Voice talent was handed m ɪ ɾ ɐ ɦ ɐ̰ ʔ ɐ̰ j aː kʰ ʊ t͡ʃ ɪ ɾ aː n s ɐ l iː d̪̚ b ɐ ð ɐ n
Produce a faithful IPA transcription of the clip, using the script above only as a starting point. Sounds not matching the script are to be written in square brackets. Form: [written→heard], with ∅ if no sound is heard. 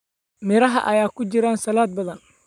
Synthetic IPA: m ɪ ɾ ɐ ɦ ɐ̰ ʔ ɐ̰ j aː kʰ ʊ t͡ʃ ɪ ɾ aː n s ɐ l [iː→aː] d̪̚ b ɐ ð ɐ n